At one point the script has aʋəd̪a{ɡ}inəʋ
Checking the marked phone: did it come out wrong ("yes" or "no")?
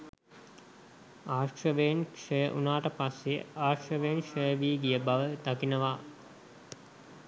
yes